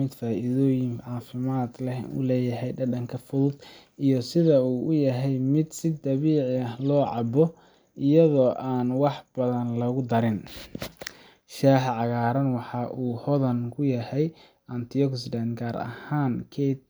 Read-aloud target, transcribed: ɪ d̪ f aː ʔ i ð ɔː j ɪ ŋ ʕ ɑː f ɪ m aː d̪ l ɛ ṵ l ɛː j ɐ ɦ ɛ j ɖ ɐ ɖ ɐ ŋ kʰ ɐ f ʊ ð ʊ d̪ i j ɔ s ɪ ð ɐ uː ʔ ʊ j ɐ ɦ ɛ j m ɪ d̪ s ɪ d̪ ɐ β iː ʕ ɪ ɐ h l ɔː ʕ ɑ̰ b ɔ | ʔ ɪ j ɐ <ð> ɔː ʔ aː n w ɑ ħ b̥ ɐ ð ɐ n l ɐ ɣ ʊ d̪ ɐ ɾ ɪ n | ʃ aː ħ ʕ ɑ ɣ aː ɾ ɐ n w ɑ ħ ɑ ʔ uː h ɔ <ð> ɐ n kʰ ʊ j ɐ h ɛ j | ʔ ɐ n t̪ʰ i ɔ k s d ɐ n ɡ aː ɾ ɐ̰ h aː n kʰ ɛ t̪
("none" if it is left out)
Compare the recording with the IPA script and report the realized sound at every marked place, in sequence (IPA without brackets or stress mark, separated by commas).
ð, ð